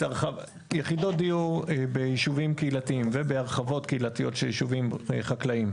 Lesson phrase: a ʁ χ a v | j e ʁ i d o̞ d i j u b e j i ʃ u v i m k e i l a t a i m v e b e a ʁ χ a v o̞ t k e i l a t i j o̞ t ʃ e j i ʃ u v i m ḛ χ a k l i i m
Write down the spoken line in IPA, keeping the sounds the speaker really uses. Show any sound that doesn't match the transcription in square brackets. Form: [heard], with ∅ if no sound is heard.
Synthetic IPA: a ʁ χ a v | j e [χ] i d o̞ d i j u b e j i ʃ u v i m k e i l a t [i] i m v e b e a ʁ χ a v o̞ t k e i l a t i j o̞ t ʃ e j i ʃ u v i m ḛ χ a k l [a] i m